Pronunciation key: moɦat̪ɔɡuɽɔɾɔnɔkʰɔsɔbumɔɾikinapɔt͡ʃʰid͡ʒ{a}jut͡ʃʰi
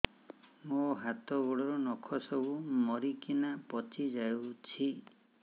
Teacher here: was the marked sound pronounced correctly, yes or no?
yes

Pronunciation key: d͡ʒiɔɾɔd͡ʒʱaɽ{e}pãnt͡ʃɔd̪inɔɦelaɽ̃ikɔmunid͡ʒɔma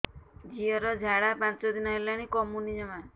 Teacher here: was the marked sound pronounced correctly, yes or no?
no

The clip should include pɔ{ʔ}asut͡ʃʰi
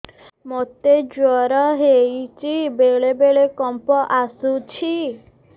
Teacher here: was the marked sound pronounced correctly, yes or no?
yes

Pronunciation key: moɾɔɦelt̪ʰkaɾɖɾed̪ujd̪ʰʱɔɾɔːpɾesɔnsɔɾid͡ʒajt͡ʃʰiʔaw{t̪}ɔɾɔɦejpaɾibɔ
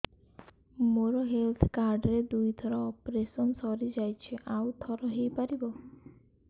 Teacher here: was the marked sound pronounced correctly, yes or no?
no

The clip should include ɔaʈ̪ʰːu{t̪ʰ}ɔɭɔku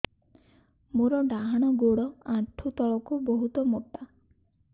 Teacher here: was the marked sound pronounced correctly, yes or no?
no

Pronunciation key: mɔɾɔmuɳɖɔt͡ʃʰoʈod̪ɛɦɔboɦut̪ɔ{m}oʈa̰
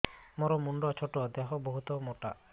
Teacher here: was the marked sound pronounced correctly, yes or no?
yes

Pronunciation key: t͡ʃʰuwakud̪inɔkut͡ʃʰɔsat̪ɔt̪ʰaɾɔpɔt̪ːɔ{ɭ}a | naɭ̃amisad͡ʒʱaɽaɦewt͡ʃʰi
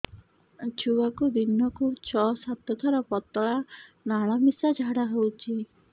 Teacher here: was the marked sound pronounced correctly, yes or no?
yes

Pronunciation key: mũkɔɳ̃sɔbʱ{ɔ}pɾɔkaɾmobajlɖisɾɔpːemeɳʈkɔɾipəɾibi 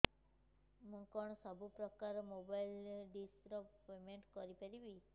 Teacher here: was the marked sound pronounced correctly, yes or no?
no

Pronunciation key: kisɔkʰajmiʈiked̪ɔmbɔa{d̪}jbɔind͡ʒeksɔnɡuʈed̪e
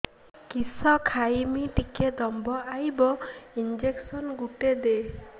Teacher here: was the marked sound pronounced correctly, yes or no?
no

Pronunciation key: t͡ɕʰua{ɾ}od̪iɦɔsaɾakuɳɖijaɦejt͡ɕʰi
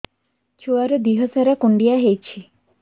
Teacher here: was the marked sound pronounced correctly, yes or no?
yes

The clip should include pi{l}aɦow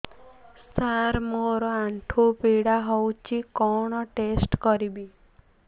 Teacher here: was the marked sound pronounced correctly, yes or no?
no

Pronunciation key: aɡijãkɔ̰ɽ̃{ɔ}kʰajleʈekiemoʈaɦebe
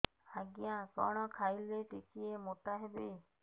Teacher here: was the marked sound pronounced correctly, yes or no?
yes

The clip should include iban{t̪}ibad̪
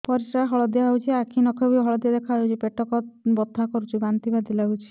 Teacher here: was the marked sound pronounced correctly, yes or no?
yes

